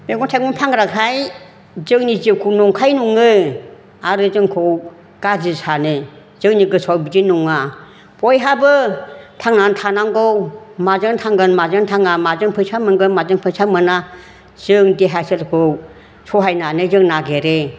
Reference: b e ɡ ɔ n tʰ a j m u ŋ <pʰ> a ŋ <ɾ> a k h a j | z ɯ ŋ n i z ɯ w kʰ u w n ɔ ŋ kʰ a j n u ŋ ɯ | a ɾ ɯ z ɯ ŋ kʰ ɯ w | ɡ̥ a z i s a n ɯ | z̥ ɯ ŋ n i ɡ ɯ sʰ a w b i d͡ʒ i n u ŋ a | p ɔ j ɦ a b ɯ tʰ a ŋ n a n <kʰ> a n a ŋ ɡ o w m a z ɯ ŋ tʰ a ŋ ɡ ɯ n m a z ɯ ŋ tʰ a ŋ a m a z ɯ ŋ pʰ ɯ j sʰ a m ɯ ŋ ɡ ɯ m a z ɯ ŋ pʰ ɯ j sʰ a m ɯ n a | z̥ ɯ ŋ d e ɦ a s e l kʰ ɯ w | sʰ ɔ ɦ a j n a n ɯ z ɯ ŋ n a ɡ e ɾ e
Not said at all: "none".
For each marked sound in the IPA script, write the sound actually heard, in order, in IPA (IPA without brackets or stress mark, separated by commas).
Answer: pʰ, ɾ, tʰ